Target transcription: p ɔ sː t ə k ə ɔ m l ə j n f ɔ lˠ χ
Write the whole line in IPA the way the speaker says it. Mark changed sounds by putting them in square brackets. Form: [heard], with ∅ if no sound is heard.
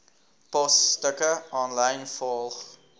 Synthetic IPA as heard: p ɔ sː t ə k ə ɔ [n] l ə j n f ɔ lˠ χ